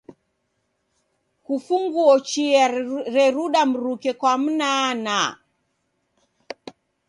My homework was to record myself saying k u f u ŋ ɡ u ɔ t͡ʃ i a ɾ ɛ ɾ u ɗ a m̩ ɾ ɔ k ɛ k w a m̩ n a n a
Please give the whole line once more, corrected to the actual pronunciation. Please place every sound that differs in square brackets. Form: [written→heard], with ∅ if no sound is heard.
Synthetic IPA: k u f u ŋ ɡ u ɔ t͡ʃ i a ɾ ɛ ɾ u ɗ a m̩ ɾ [ɔ→u] k ɛ k w a m̩ n a n a